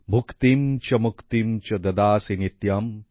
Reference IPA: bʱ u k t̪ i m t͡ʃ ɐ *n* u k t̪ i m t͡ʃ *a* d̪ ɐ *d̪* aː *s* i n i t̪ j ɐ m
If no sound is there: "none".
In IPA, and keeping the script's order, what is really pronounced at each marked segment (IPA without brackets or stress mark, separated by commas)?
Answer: m, ɐ, d̪, s